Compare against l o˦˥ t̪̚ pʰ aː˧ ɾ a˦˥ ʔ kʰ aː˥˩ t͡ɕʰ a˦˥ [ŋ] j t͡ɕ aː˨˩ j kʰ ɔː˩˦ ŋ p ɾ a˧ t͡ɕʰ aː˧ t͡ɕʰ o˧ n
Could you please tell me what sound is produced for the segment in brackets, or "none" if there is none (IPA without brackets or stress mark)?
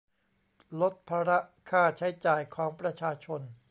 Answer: none